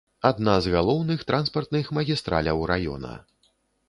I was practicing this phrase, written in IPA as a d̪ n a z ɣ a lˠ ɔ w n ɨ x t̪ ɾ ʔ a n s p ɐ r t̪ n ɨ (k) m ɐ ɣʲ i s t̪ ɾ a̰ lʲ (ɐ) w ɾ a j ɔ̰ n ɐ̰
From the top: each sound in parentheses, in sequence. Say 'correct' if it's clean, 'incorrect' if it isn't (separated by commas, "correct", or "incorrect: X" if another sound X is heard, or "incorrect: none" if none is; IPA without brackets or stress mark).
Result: incorrect: x, correct